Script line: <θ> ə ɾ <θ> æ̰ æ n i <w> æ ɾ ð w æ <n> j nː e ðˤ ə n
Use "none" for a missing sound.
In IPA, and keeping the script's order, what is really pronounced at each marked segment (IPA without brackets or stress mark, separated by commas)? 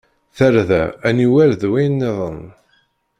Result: θ, ð, w, none